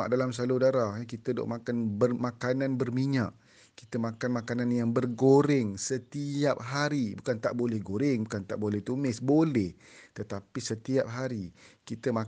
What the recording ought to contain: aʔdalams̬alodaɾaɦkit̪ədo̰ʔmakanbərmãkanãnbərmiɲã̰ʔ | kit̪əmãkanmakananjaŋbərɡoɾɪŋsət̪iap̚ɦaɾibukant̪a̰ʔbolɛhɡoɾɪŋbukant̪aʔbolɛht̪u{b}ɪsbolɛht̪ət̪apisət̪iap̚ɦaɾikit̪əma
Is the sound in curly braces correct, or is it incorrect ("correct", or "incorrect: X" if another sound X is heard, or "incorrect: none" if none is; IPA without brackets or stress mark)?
incorrect: m